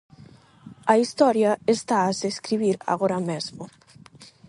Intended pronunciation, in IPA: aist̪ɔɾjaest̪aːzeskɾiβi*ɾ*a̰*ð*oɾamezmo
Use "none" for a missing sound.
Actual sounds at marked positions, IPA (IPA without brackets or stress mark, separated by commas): ɾ, ɣ